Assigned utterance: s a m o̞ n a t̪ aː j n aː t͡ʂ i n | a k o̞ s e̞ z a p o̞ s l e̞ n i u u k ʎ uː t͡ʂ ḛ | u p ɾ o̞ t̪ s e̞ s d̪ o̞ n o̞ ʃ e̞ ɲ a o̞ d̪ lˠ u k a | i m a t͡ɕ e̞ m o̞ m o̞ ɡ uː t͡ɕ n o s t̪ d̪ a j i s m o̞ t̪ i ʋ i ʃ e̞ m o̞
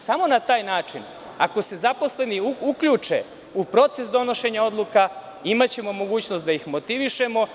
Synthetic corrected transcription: s a m o̞ n a t̪ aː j n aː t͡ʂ i n | a k o̞ s e̞ z a p o̞ s l e̞ n i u u k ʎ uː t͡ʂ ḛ | u p ɾ o̞ t̪ s e̞ s d̪ o̞ n o̞ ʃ e̞ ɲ a o̞ d̪ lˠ u k a | i m a t͡ɕ e̞ m o̞ m o̞ ɡ uː t͡ɕ n o s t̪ d̪ a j i x m o̞ t̪ i ʋ i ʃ e̞ m o̞